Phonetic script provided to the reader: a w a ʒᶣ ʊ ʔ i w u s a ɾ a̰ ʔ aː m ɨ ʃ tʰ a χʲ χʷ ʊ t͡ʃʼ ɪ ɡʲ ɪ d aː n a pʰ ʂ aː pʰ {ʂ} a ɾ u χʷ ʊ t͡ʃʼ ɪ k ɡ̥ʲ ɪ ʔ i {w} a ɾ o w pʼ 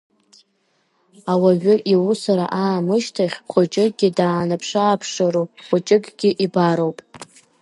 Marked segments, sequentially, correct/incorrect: correct, incorrect

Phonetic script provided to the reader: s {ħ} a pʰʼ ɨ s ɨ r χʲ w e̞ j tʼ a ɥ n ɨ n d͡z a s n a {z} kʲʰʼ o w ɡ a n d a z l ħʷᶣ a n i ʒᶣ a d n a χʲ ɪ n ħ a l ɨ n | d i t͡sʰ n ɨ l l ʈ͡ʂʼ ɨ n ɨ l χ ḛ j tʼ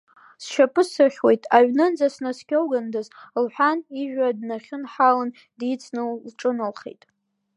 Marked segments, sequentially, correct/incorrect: incorrect, incorrect

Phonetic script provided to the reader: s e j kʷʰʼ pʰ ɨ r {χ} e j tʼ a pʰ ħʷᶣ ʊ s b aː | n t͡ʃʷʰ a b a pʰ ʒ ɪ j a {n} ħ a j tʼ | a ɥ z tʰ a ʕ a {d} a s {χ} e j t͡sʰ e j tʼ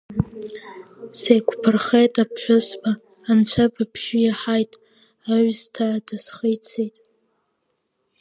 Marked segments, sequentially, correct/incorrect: correct, incorrect, correct, correct

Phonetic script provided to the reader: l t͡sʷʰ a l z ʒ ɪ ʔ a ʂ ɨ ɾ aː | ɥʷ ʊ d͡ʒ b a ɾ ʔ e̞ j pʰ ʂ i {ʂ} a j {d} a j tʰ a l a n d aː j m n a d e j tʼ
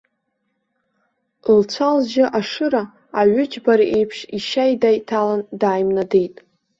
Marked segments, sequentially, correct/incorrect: incorrect, correct

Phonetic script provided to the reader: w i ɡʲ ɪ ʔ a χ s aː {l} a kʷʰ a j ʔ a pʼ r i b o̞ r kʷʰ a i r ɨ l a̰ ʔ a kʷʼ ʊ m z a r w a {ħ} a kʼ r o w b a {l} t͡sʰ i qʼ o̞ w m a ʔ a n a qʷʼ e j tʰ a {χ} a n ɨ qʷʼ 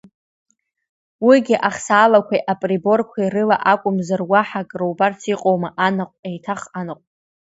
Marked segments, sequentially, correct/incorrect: correct, correct, incorrect, correct

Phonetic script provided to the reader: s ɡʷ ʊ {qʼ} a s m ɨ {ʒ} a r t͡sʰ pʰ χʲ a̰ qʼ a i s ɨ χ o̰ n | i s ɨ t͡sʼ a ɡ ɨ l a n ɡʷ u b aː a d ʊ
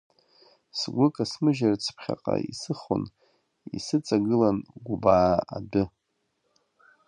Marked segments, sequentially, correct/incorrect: incorrect, correct

